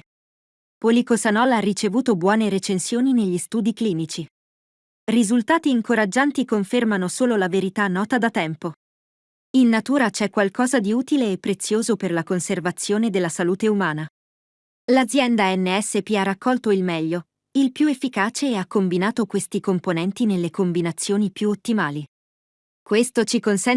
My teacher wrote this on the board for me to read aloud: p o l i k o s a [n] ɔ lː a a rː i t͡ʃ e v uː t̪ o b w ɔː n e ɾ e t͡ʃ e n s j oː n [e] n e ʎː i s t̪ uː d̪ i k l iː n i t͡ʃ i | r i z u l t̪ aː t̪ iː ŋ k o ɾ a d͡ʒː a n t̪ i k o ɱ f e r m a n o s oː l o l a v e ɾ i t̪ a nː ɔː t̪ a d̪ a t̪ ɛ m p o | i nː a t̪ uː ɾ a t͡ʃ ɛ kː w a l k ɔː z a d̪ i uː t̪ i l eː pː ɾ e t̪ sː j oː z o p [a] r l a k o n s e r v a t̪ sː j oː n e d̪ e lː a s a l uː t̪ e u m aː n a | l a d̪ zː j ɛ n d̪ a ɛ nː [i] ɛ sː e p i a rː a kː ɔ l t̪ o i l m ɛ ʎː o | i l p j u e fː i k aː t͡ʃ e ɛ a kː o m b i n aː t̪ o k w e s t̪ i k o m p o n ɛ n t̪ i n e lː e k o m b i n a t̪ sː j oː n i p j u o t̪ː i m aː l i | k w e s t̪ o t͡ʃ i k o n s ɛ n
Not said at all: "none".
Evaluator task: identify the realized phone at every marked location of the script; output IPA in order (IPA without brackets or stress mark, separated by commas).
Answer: n, i, e, e